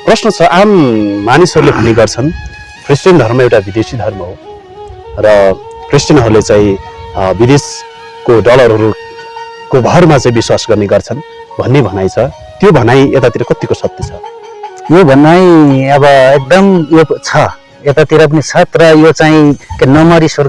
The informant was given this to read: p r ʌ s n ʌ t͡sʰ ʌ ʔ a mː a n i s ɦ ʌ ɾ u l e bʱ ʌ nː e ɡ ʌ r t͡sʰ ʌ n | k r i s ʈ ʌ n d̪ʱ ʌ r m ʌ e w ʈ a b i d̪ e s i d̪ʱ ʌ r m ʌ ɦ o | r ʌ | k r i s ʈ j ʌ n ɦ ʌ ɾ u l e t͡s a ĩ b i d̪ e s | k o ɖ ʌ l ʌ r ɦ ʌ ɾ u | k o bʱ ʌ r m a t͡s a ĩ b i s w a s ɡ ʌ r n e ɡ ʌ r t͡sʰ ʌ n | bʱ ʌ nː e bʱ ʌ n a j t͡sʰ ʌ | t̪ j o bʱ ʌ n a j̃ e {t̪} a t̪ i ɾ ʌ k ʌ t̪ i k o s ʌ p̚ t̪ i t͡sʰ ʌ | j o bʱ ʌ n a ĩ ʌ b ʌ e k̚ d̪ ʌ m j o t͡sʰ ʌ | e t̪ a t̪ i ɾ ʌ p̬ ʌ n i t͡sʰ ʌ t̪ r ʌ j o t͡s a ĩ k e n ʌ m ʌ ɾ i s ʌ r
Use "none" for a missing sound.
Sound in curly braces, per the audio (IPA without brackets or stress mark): t̪